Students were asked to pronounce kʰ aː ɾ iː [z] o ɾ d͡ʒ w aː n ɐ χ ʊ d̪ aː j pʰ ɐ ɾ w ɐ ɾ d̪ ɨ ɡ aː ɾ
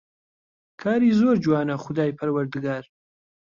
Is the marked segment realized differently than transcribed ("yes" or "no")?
no